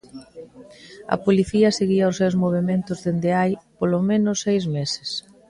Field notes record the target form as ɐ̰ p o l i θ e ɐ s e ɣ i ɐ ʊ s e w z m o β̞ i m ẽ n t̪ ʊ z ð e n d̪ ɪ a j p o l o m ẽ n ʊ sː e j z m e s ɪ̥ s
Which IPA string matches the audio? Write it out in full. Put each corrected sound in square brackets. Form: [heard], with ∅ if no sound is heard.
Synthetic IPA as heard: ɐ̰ p o l i θ [i] ɐ s e ɣ i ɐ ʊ s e w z m o β̞ [e] m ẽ n t̪ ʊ z ð e n d̪ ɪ a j p o l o m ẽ n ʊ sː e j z m e s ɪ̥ s